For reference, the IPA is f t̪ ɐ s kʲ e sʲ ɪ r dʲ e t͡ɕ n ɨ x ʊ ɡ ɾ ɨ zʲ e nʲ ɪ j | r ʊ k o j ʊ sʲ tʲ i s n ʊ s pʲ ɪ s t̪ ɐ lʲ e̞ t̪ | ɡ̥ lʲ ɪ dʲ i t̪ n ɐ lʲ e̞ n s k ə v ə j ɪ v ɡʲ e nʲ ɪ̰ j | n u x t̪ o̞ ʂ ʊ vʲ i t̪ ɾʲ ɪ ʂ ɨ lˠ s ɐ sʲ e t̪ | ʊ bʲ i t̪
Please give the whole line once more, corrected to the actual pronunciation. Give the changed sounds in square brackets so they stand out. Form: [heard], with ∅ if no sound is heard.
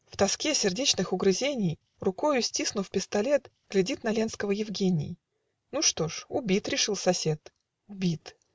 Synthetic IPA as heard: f t̪ ɐ s kʲ e sʲ ɪ r dʲ e t͡ɕ n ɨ x ʊ ɡ ɾ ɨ zʲ e nʲ ɪ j | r ʊ k o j ʊ sʲ tʲ i s n ʊ [f] pʲ ɪ s t̪ ɐ lʲ e̞ t̪ | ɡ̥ lʲ ɪ dʲ i t̪ n ɐ lʲ e̞ n s k ə v ə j ɪ v ɡʲ e nʲ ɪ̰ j | n u [ʂ] t̪ o̞ ʂ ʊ [bʲ] i t̪ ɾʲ ɪ ʂ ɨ lˠ s ɐ sʲ e t̪ | ʊ bʲ i t̪